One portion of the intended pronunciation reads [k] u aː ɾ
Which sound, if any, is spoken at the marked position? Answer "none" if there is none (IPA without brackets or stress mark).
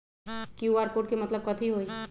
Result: k